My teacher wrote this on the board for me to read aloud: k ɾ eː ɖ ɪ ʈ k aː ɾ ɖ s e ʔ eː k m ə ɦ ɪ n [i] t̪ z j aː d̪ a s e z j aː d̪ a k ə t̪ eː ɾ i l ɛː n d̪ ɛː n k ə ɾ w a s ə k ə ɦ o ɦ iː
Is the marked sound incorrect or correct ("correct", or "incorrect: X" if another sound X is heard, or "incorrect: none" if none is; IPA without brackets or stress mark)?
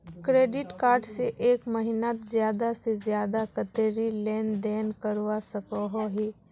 incorrect: a